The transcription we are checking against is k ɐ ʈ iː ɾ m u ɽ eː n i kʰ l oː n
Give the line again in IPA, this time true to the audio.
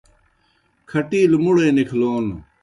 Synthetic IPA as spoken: kʰ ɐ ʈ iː l m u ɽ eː n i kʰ l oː n